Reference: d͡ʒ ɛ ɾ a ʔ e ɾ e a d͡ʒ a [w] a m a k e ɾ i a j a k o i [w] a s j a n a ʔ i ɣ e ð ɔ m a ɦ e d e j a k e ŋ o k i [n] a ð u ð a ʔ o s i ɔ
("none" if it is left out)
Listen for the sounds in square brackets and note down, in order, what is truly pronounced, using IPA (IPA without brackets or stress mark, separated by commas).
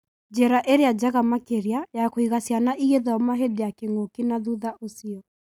ɣ, ɣ, n